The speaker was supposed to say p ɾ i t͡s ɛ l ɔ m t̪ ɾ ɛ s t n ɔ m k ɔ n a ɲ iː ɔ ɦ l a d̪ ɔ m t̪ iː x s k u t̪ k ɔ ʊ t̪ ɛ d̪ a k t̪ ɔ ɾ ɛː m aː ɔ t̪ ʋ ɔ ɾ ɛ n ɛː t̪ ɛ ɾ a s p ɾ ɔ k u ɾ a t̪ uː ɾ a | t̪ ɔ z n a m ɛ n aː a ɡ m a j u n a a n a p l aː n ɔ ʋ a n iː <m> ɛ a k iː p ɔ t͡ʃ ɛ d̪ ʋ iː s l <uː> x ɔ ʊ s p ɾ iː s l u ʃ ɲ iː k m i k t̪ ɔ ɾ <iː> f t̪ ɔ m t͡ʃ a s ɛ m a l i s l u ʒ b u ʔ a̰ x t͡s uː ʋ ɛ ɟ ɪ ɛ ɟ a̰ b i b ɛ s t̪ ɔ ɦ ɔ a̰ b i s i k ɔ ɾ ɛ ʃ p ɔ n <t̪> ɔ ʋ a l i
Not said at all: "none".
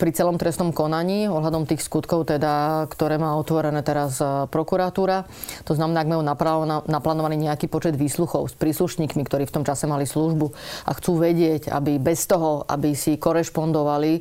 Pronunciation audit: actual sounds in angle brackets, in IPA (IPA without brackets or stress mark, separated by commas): ɲ, u, iː, d̪